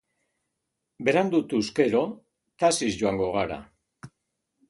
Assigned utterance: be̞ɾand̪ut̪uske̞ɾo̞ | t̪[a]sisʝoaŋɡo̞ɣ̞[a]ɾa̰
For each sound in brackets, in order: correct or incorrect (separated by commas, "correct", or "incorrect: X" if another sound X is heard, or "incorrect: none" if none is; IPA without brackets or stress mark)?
correct, correct